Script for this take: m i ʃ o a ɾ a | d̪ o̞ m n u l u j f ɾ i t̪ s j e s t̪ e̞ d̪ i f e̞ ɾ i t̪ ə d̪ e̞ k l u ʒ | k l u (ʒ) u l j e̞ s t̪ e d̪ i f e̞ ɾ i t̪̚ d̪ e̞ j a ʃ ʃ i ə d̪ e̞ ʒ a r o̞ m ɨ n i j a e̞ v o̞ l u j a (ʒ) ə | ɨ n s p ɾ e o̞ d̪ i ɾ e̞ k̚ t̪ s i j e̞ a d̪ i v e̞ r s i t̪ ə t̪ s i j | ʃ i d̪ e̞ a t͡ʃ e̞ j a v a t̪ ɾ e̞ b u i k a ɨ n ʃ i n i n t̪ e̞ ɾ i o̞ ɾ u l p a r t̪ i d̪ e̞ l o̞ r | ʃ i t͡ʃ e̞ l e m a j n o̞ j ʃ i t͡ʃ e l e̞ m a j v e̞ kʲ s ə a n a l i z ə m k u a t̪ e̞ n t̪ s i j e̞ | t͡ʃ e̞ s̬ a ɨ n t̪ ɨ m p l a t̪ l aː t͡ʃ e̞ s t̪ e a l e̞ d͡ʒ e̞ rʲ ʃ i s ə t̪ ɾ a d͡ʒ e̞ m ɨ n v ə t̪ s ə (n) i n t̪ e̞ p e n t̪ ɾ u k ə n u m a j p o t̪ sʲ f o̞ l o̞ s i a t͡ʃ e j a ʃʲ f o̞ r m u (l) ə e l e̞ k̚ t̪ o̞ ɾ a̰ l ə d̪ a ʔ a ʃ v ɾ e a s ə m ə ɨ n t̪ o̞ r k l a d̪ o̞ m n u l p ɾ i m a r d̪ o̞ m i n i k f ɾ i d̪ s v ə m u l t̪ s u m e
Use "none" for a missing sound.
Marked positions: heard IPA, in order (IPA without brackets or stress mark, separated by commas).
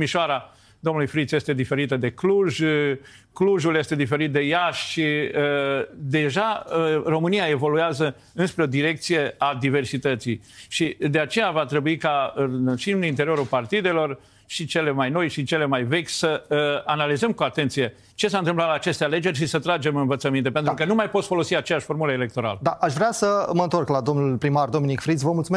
ʒ, z, m, l